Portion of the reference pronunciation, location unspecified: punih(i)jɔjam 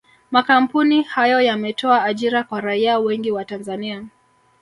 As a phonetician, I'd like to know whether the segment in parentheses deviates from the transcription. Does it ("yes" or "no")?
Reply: yes